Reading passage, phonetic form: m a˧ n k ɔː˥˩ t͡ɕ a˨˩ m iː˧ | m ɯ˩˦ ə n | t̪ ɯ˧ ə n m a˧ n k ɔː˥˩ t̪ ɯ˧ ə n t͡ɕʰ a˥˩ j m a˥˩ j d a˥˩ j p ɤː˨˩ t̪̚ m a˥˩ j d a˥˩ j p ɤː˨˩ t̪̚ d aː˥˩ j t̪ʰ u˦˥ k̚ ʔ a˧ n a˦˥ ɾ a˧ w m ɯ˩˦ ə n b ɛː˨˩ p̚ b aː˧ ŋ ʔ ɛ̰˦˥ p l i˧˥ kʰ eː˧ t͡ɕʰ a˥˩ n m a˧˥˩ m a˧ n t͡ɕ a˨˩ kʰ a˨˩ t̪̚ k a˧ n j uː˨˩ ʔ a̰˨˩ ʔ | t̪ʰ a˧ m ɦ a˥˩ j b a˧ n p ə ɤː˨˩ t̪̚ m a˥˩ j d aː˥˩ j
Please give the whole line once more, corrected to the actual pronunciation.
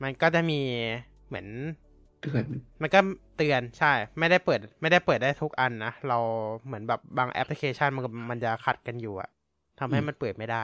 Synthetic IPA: m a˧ n k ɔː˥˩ t͡ɕ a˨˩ m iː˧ | m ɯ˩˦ ə n | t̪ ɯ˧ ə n m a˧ n k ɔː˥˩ t̪ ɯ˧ ə n t͡ɕʰ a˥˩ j m a˥˩ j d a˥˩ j p ɤː˨˩ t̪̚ m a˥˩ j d a˥˩ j p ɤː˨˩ t̪̚ d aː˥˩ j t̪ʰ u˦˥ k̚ ʔ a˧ nː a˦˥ ɾ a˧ w m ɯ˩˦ ə n b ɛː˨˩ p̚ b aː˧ ŋ ʔ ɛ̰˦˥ p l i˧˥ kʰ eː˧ t͡ɕʰ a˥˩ n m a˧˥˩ m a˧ n t͡ɕ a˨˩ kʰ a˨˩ t̪̚ k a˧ n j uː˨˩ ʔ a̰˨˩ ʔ | t̪ʰ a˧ m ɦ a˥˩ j m a˧ n p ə ɤː˨˩ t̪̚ m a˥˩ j d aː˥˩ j